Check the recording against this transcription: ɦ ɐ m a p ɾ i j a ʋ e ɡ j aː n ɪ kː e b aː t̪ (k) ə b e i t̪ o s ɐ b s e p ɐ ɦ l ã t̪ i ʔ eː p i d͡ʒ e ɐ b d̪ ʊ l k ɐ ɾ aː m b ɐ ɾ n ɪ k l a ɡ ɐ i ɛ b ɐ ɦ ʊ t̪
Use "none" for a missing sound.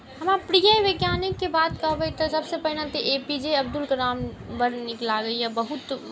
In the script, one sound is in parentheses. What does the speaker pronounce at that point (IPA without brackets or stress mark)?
k